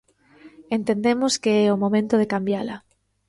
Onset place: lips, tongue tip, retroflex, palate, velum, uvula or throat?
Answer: tongue tip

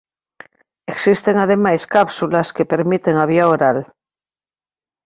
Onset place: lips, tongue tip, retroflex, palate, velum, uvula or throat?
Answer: velum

